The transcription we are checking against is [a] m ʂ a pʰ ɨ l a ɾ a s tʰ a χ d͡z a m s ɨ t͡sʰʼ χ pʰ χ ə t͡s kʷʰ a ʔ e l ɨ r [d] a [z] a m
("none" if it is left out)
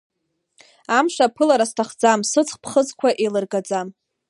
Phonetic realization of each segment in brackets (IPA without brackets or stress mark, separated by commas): a, ɡ, d͡z